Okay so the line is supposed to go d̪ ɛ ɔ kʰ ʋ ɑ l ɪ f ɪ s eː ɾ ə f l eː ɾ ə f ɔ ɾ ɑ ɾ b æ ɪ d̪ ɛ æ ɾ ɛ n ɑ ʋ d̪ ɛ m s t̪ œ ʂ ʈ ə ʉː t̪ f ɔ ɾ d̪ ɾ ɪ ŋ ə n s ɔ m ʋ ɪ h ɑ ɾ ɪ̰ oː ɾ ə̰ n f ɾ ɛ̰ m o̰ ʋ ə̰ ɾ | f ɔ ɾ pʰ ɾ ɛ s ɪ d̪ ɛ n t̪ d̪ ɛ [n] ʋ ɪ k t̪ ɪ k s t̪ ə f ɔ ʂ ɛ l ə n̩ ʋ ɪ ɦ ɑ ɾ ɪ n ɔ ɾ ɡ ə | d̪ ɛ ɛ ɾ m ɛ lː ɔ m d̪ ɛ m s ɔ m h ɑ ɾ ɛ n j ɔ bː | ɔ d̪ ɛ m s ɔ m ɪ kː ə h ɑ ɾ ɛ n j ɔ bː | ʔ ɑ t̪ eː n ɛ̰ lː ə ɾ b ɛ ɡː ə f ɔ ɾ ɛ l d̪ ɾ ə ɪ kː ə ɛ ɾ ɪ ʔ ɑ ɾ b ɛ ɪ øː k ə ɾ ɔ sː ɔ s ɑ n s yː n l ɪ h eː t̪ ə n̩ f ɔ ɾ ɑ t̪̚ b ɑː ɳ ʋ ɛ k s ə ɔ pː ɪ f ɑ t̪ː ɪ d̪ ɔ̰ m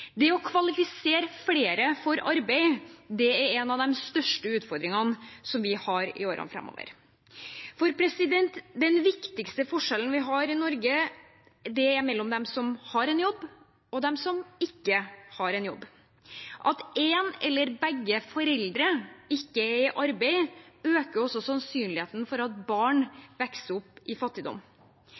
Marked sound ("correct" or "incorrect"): correct